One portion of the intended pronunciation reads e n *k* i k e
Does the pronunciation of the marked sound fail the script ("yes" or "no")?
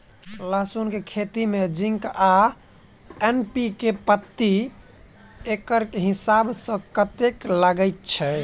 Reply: yes